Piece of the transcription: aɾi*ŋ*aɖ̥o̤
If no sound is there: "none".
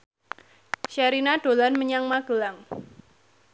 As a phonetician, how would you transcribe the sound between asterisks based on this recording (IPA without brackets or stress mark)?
n